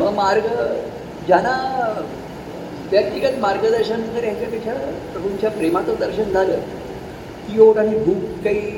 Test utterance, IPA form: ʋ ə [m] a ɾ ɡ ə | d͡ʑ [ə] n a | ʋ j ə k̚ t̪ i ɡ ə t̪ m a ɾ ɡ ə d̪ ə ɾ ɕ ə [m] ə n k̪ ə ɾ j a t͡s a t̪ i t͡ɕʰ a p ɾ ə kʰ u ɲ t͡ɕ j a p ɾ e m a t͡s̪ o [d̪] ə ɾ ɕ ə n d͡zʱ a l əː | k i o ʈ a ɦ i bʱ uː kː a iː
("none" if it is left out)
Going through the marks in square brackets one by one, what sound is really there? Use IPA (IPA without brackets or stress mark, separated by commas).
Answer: m, a, n, d̪